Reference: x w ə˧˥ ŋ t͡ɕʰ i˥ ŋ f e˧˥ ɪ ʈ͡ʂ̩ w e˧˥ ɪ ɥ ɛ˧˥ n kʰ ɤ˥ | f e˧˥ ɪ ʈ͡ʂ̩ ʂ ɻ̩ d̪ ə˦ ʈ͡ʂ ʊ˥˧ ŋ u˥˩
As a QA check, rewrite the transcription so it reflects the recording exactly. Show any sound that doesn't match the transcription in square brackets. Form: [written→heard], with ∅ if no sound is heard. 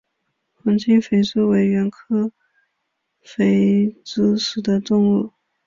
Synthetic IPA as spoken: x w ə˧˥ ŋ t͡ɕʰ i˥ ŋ f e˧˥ ɪ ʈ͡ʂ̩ w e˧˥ ɪ ɥ ɛ˧˥ n kʰ ɤ˥ | f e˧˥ ɪ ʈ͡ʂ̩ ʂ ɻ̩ d̪ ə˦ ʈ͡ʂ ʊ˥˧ ŋ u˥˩